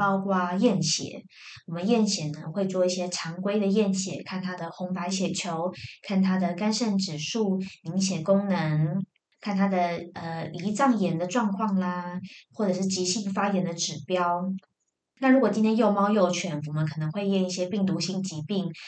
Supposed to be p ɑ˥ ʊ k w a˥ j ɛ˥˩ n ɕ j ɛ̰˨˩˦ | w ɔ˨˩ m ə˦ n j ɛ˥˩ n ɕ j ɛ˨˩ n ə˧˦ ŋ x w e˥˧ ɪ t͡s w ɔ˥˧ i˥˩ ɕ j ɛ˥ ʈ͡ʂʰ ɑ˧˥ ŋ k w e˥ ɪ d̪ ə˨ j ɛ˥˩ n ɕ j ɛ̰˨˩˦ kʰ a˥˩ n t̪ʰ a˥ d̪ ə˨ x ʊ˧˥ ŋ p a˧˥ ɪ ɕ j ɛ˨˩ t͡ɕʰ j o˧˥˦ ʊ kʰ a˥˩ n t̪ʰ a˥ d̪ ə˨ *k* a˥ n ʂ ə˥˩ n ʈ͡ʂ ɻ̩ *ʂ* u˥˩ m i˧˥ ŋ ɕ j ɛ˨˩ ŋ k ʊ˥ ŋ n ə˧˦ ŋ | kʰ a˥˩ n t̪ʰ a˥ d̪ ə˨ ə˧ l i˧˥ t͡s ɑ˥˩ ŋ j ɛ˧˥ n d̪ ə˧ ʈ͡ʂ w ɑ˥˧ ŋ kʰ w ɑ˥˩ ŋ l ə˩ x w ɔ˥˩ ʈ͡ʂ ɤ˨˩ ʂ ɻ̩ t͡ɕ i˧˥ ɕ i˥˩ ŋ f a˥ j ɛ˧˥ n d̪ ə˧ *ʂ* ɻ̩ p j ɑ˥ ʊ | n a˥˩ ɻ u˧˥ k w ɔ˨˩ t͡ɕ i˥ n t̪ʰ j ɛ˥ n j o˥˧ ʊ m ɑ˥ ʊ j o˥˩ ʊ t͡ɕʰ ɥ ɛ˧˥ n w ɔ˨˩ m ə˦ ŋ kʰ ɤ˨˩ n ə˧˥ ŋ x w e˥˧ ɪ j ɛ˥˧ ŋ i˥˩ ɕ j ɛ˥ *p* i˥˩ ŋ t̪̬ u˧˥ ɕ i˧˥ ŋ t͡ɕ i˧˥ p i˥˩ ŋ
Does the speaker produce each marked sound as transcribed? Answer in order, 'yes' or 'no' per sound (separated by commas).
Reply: yes, yes, no, yes